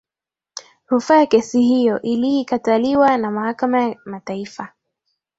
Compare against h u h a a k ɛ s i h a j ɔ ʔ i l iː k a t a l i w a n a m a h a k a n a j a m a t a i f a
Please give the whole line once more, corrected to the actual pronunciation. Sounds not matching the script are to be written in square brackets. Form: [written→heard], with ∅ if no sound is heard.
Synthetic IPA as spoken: h u [h→f] a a k ɛ s i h [a→i] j ɔ ʔ i l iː k a t a l i w a n a m a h a k a [n→m] a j a m a t a i f a